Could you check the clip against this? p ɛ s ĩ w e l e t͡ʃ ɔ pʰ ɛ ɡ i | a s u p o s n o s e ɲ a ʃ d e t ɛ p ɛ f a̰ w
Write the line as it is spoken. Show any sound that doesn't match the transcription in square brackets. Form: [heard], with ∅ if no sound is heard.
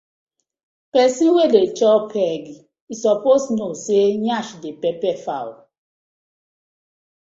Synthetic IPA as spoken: p ɛ s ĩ w e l e t͡ʃ ɔ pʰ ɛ ɡ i | [i] s [ɔ] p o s n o s e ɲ a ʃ d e [p] ɛ p ɛ f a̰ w